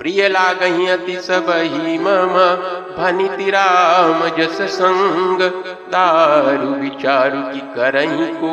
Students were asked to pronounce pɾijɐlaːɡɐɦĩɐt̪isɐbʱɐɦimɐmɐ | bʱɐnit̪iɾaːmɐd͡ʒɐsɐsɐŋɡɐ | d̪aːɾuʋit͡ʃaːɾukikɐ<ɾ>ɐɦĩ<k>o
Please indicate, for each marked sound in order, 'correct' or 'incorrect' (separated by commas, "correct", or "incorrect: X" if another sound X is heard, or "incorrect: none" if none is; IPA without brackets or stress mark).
correct, correct